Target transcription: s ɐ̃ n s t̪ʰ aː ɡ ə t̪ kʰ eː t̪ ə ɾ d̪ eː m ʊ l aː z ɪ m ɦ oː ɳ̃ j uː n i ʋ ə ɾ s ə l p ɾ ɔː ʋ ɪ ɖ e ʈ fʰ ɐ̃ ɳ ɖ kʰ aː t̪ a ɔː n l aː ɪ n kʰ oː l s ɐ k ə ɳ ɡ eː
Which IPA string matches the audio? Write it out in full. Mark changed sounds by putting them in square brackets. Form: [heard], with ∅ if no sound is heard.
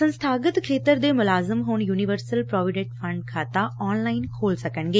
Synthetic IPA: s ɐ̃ n s t̪ʰ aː ɡ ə t̪ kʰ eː t̪ ə ɾ d̪ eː m ʊ l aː z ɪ m ɦ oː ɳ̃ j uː n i ʋ ə ɾ s ə l p ɾ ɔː ʋ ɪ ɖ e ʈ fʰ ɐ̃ ɳ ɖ kʰ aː t̪ a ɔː n l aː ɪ n kʰ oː l s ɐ k ə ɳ ɡ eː